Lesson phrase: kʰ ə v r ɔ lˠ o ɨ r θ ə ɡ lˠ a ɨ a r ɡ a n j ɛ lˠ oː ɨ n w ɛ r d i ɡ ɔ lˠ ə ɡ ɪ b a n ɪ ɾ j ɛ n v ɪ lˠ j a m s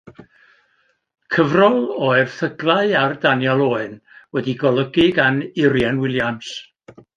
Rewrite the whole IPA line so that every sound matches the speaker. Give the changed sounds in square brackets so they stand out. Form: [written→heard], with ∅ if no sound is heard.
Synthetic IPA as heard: kʰ ə v r ɔ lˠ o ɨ r θ ə ɡ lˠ a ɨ a r [ɡ→d] a n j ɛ lˠ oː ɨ n w ɛ [r→∅] d i ɡ ɔ lˠ ə ɡ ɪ [b→ɡ] a n ɪ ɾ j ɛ n [v→w] ɪ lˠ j a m s